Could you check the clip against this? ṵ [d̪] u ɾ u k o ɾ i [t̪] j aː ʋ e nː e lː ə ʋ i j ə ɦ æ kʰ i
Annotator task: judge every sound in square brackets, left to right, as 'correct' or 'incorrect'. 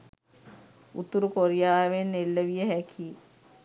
incorrect, incorrect

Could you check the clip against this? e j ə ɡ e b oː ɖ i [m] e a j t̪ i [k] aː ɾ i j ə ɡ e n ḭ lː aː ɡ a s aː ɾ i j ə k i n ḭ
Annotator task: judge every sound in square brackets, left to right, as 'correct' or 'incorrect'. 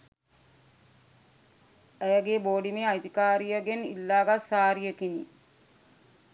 correct, correct

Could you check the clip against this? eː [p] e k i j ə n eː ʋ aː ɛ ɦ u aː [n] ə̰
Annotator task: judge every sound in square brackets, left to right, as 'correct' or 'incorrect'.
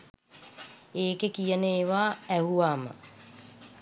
incorrect, incorrect

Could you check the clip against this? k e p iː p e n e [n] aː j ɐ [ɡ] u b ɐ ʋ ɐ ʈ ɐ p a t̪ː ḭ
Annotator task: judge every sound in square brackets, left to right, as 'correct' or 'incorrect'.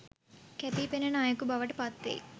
correct, incorrect

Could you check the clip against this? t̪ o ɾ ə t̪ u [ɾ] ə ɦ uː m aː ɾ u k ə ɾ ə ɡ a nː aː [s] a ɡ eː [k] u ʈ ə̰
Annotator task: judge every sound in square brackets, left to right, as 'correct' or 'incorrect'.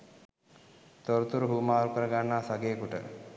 correct, correct, correct

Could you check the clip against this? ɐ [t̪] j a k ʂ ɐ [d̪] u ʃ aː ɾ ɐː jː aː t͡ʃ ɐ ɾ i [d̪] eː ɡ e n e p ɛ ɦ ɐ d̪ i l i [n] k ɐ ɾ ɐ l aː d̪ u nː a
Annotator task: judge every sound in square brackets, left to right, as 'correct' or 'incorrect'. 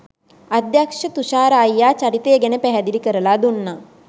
incorrect, incorrect, incorrect, incorrect

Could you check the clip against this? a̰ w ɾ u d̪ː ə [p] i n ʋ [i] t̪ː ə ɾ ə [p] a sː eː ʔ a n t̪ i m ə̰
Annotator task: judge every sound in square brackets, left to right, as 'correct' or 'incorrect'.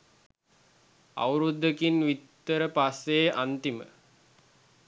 incorrect, correct, correct

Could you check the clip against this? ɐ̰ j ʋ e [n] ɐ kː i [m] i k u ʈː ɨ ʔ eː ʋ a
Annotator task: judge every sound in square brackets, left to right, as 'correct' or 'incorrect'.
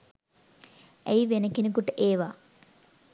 correct, incorrect

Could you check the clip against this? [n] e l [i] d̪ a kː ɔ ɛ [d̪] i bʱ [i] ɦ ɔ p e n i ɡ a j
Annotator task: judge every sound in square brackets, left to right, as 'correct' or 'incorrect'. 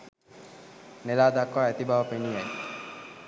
correct, incorrect, incorrect, incorrect

